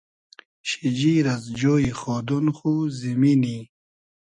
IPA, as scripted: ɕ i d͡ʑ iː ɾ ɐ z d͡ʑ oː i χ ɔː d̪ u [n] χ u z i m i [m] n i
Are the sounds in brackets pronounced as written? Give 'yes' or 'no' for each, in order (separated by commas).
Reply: yes, no